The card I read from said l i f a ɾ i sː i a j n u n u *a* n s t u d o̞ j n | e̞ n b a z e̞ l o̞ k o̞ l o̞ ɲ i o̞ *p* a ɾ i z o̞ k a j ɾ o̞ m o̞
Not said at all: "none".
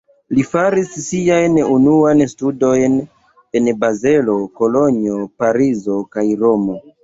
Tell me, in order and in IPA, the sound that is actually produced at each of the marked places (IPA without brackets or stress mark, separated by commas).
a, p